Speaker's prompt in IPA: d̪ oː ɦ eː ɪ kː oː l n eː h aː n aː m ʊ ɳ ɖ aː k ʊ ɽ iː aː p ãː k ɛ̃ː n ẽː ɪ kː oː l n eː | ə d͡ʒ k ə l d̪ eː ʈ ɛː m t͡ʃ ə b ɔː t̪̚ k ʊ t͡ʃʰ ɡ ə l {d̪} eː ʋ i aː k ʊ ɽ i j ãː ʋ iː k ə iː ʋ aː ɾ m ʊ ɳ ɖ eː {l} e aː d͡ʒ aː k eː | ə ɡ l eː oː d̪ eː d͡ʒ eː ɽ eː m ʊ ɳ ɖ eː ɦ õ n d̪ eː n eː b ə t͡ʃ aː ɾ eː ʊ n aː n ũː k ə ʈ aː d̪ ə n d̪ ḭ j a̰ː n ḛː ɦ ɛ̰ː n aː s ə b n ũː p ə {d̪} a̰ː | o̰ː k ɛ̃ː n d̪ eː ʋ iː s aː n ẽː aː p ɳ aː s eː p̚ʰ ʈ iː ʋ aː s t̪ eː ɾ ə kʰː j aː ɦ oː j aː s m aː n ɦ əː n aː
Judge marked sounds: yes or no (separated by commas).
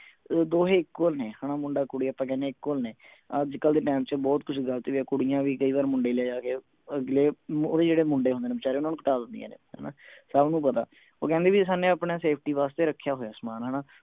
no, yes, no